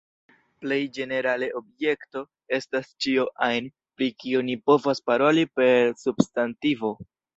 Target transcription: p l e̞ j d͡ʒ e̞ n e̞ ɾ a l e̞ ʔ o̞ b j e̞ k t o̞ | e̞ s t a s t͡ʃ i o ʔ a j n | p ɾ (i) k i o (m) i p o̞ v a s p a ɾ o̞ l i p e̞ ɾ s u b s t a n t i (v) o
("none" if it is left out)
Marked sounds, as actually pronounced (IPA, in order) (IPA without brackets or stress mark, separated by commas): i, n, v